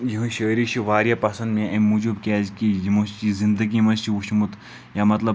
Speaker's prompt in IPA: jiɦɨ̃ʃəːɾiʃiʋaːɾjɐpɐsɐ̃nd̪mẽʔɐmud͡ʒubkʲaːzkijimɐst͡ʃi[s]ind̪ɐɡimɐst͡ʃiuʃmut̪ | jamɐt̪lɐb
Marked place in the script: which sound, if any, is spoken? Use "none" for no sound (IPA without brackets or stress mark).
z